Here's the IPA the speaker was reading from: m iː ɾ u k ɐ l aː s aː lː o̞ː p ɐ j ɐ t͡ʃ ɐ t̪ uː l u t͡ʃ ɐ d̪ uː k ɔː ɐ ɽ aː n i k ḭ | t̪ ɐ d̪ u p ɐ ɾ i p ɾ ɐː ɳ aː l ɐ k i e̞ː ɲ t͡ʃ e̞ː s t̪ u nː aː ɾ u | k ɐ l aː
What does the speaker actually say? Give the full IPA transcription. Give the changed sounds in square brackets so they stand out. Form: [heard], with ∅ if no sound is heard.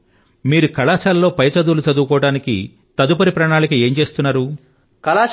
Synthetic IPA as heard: m iː ɾ u k ɐ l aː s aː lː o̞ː p ɐ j ɐ t͡ʃ ɐ [d̪] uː l u t͡ʃ ɐ d̪ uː k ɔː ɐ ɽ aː n i k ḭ | t̪ ɐ d̪ u p ɐ ɾ i p ɾ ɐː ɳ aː l ɐ k i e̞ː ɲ t͡ʃ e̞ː s t̪ u nː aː ɾ u | k ɐ l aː